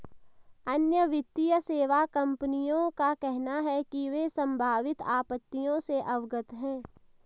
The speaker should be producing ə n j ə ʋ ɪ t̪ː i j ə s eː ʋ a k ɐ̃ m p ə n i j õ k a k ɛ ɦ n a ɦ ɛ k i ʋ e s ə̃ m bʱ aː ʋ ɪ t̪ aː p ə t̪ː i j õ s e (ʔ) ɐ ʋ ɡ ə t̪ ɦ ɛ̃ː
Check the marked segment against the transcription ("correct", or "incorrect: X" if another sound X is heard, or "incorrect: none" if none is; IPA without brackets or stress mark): correct